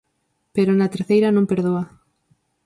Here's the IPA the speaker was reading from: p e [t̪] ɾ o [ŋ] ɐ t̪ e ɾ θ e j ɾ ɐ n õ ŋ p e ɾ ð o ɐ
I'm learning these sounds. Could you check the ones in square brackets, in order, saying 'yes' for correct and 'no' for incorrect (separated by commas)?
no, no